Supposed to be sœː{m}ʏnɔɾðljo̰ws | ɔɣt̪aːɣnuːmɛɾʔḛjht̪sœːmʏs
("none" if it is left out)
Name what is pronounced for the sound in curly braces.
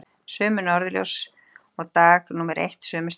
m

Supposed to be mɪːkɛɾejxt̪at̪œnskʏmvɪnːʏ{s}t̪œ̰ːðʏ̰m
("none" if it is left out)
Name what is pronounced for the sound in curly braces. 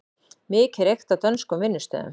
s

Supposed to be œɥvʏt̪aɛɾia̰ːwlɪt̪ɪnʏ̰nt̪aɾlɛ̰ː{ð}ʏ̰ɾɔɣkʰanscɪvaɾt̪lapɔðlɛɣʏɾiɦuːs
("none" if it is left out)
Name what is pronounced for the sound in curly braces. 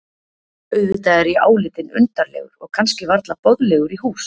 ɣ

